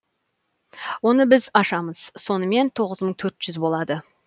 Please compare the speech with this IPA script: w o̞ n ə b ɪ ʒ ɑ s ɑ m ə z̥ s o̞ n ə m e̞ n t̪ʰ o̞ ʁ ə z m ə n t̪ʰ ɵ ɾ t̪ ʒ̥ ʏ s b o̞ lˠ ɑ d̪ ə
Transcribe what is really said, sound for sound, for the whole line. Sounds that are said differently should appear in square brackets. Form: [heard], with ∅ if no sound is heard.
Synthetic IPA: w o̞ n ə b ɪ [z] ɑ [ʃ] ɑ m ə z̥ s o̞ n ə m e̞ n t̪ʰ o̞ ʁ ə z m ə [ɴ] t̪ʰ ɵ ɾ t̪ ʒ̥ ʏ [z] b o̞ lˠ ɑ d̪ ə